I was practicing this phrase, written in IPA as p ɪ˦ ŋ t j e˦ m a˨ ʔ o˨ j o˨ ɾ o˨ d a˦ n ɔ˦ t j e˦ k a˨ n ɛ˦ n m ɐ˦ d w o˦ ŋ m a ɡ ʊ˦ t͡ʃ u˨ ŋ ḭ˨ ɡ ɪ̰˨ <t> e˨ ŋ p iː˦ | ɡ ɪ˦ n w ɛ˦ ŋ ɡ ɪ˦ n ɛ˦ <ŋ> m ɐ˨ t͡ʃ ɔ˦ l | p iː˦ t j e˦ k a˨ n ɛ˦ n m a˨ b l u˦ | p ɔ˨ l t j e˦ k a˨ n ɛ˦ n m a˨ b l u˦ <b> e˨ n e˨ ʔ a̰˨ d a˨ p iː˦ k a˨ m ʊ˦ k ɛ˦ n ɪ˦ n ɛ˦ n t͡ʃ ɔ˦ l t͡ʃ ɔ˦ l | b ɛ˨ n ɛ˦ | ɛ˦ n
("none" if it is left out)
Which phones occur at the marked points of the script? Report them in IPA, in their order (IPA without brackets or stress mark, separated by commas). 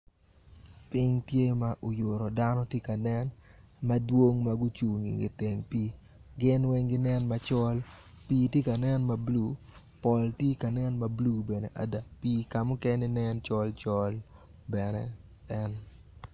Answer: t, n, b